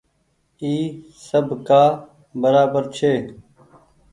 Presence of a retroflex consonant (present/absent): absent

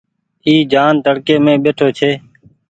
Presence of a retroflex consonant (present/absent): present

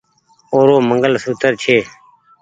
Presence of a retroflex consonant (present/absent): absent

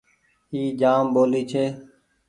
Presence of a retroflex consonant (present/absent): absent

